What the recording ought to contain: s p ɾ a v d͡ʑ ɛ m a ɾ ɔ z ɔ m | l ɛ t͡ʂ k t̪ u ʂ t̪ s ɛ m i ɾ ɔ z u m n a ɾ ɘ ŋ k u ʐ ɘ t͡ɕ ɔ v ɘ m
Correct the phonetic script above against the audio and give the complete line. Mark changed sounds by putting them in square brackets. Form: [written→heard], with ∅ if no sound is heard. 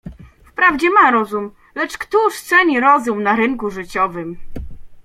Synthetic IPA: [s→f] p ɾ a v d͡ʑ ɛ m a ɾ ɔ z [ɔ→u] m | l ɛ t͡ʂ k t̪ u ʂ t̪ s ɛ [m→ɲ] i ɾ ɔ z u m n a ɾ ɘ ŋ k u ʐ ɘ t͡ɕ ɔ v ɘ m